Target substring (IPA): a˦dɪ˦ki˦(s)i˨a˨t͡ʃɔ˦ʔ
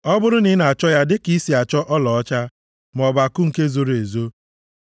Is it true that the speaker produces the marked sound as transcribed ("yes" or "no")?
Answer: yes